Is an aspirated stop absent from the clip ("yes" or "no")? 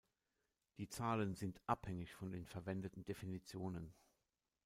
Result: yes